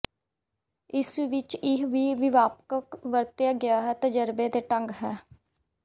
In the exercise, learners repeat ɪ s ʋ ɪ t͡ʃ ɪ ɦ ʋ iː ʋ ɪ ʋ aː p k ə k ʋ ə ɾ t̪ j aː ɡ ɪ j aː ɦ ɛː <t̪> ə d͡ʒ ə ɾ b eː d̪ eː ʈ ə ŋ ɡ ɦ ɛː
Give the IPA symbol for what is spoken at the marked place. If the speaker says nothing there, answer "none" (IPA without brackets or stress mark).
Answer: t̪